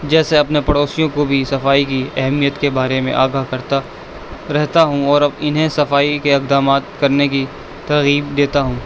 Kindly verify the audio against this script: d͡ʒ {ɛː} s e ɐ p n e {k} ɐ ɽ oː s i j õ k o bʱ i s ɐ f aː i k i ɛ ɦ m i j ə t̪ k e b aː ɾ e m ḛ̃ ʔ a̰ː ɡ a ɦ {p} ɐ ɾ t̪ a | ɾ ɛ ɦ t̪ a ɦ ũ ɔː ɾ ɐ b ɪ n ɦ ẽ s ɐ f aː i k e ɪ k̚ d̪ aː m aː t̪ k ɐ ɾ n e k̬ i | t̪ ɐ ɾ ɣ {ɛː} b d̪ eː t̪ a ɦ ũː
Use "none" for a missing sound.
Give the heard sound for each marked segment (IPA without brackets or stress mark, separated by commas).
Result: ɛː, p, k, iː